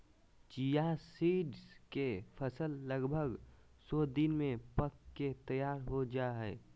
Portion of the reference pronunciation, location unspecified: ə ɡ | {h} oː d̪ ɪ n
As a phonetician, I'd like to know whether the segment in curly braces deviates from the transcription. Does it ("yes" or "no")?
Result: yes